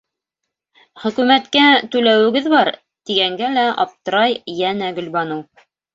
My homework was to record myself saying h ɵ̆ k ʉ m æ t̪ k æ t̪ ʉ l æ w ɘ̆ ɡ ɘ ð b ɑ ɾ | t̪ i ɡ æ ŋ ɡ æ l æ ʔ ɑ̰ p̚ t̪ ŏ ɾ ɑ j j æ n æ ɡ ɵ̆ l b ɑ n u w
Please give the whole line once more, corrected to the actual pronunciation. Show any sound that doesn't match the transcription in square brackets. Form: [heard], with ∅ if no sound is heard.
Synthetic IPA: [χ] ɵ̆ k ʉ m æ t̪ k æ t̪ ʉ l æ w ɘ̆ ɡ ɘ ð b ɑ ɾ | t̪ i ɡ æ ŋ ɡ æ l æ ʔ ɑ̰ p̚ t̪ [ɤ̆] ɾ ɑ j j æ n æ ɡ ɵ̆ l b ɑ n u w